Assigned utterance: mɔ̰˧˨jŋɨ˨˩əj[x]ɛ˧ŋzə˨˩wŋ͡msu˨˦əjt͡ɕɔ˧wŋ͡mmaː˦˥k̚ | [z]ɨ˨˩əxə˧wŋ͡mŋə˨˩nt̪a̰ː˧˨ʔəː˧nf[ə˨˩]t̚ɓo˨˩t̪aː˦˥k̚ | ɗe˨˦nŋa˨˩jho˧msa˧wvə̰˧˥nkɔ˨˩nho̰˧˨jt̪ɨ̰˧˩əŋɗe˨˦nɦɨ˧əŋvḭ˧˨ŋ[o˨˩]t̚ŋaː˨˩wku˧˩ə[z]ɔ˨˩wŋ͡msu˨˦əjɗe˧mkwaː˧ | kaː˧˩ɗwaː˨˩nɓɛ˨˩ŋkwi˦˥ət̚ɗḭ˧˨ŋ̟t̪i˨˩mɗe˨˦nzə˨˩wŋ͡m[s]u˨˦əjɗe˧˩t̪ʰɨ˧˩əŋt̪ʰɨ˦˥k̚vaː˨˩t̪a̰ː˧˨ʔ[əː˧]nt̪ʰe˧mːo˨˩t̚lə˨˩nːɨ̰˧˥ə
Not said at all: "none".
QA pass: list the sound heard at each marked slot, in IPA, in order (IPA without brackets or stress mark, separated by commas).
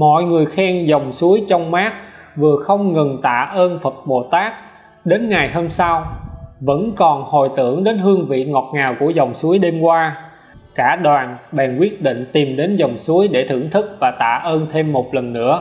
x, v, ə˨˩, ɔ˨˩, z, s, əː˧